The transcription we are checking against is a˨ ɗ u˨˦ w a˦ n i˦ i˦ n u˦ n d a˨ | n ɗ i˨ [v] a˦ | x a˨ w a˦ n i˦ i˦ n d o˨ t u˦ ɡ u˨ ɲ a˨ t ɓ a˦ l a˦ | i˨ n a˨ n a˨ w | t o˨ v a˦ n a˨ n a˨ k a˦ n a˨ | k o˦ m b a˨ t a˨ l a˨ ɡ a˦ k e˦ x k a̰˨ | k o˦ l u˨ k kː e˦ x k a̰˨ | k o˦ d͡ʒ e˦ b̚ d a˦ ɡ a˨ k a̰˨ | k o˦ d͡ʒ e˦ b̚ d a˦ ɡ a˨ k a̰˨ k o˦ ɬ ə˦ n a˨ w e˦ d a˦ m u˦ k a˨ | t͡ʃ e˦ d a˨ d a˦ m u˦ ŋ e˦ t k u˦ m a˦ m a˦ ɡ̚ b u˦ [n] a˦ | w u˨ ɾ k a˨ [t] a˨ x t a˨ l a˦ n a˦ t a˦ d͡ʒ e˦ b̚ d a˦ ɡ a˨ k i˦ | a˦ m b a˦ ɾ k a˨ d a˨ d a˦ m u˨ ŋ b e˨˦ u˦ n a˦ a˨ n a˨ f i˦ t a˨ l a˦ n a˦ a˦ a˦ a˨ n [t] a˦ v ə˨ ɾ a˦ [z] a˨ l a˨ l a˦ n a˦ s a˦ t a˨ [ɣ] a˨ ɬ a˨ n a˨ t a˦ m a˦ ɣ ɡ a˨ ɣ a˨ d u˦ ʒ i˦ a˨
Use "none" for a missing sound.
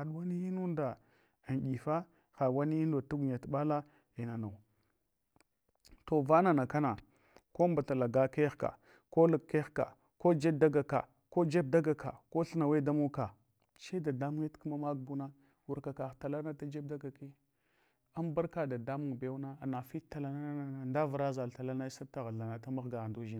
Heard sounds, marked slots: f, n, k, d, z, ɣ

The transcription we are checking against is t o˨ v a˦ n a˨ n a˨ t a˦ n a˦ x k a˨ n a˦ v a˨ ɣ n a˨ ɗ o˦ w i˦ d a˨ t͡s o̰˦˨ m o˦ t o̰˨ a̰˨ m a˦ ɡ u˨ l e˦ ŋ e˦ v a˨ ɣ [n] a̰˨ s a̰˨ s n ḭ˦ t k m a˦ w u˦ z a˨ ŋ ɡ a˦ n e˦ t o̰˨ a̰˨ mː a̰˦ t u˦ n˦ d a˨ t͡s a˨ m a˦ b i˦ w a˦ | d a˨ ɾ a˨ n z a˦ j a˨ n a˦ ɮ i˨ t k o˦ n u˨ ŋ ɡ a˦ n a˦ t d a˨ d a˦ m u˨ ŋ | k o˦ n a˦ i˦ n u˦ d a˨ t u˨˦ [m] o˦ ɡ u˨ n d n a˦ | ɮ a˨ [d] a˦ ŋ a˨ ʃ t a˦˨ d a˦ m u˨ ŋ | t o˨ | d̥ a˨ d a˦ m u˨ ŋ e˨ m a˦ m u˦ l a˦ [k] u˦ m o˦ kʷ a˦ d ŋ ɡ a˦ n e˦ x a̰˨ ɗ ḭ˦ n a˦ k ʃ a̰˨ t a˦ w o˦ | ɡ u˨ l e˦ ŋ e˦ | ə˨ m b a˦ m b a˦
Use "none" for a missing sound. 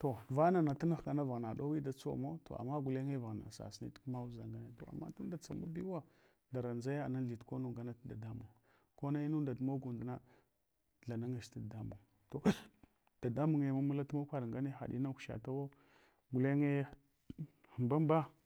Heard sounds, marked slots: n, m, n, t

